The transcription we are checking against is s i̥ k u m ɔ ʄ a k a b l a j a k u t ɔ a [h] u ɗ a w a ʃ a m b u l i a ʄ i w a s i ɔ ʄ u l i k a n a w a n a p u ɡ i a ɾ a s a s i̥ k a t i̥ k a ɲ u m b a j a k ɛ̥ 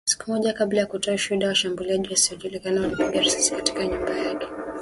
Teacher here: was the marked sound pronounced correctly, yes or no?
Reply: no